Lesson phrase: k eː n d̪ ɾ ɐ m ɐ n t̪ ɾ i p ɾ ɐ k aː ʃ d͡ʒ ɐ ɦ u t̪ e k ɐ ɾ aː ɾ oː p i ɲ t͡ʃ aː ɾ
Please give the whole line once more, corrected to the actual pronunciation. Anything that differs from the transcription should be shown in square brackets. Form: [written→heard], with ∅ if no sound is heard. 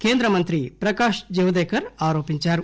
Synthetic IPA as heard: k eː n d̪ ɾ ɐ m ɐ n t̪ ɾ i p ɾ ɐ k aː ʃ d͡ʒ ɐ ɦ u [t̪→d̪] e k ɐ ɾ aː ɾ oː p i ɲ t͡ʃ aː ɾ